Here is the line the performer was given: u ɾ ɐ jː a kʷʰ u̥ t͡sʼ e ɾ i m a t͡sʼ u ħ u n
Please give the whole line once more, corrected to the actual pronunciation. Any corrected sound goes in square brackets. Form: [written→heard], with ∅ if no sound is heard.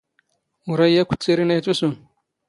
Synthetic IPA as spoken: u ɾ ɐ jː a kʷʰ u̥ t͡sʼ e ɾ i [m→n] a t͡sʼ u [ħ→s] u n